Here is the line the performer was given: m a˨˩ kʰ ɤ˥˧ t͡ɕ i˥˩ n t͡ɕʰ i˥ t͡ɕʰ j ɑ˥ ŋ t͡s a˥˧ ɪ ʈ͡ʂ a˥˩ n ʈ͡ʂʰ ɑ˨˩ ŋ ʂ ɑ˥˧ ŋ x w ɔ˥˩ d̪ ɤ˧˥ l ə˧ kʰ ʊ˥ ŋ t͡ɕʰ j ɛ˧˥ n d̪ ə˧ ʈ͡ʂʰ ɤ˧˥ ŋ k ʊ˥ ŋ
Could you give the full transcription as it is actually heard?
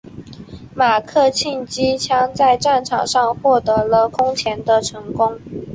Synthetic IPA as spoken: m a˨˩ kʰ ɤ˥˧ t͡ɕʰ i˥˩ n t͡ɕ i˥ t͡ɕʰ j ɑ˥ ŋ t͡s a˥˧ ɪ ʈ͡ʂ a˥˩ n ʈ͡ʂʰ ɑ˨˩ ŋ ʂ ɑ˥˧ ŋ x w ɔ˥˩ t̪ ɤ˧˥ l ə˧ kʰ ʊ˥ ŋ t͡ɕʰ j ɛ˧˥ n d̪ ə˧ ʈ͡ʂʰ ɤ˧˥ ŋ k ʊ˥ ŋ

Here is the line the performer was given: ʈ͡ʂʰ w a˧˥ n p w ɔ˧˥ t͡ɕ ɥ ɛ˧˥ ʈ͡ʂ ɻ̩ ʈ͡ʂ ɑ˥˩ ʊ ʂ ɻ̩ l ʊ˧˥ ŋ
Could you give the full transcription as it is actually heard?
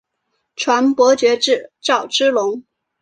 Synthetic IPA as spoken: ʈ͡ʂʰ w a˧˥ n p w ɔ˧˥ t͡ɕ ɥ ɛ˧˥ ʈ͡ʂ ɻ̩ ʈ͡ʂ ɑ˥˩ ʊ ʈ͡ʂ ɻ̩ l ʊ˧˥ ŋ

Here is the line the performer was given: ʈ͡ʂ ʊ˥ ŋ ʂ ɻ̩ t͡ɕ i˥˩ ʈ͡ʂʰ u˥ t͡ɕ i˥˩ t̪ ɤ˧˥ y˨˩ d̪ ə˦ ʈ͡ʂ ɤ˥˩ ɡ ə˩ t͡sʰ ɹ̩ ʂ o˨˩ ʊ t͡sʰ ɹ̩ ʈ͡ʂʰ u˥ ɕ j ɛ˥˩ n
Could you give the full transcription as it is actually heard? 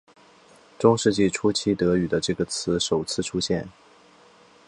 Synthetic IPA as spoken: ʈ͡ʂ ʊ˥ ŋ ʂ ɻ̩ t͡ɕ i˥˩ ʈ͡ʂʰ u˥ t͡ɕʰ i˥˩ t̪ ɤ˧˥ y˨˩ d̪ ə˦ ʈ͡ʂ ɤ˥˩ ɡ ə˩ t͡sʰ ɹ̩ ʂ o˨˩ ʊ t͡sʰ ɹ̩ ʈ͡ʂʰ u˥ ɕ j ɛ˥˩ n

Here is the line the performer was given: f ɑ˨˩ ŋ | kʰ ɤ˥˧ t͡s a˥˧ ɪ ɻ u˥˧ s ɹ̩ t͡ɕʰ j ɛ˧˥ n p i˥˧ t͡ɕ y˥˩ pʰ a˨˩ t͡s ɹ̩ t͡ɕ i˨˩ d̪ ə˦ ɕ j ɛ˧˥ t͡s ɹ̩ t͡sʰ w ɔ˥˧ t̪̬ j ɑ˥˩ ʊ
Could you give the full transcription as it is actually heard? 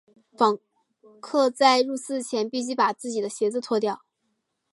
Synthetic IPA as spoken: f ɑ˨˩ ŋ | kʰ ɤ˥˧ t͡s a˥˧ ɪ ɻ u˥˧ s ɹ̩ t͡ɕʰ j ɛ˧˥ n p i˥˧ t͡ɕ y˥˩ p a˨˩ t͡s ɹ̩ t͡ɕ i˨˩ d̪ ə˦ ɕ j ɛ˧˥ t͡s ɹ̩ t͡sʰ w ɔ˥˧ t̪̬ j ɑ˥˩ ʊ

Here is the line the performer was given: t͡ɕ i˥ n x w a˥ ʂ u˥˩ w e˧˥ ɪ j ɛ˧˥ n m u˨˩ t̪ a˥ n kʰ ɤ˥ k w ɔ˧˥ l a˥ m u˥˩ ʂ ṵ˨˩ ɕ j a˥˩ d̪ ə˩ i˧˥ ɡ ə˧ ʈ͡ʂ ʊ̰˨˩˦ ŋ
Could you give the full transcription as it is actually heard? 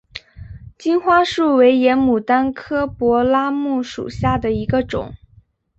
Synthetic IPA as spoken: t͡ɕ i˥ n x w a˥ ʂ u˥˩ w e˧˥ ɪ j ɛ˧˥ n m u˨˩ t̪ a˥ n kʰ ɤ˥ p w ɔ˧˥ l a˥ m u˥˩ ʂ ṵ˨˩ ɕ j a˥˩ d̪ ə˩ i˧˥ ɡ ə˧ ʈ͡ʂ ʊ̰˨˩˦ ŋ

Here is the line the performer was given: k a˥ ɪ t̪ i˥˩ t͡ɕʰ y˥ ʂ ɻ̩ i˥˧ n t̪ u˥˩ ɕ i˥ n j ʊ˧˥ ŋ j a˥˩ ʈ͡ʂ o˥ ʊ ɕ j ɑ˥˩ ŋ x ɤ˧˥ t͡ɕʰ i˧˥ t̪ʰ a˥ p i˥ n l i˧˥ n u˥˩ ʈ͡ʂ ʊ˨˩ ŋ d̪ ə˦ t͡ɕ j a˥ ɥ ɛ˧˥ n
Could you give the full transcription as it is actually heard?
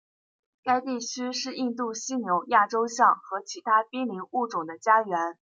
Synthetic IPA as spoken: k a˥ ɪ t̪ i˥˩ t͡ɕʰ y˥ ʂ ɻ̩ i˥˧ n t̪ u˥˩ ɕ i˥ n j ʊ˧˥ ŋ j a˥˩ ʈ͡ʂ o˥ ʊ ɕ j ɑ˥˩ ŋ x ɤ˧˥ t͡ɕʰ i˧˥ t̪ʰ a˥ p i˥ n l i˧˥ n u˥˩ ʈ͡ʂ ʊ˨˩ ŋ d̪ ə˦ t͡ɕ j a˥ ɥ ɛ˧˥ n

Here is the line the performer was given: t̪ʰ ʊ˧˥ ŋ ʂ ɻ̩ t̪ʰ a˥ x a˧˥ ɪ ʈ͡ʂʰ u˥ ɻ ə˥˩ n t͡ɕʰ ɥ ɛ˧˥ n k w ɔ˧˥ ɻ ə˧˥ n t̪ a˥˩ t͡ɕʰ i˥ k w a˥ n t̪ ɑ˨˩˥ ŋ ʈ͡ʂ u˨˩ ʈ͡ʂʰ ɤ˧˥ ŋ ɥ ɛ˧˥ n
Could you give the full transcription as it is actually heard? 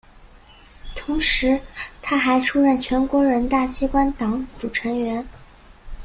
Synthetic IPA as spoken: t̪ʰ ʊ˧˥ ŋ ʂ ɻ̩ t̪ʰ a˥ x a˧˥ ɪ ʈ͡ʂʰ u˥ ɻ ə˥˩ n t͡ɕʰ ɥ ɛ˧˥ n k w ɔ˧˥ ɻ ə˧˥ n t̪ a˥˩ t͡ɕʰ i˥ k w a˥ n t̪ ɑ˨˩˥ ŋ ʈ͡ʂ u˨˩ ʈ͡ʂʰ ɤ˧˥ ŋ ɥ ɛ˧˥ n

